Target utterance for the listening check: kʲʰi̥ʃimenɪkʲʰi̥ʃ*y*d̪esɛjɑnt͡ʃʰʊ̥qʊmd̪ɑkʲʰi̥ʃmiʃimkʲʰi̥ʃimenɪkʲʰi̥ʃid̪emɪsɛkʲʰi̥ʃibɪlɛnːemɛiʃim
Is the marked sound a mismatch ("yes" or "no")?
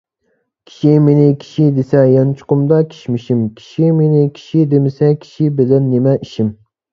yes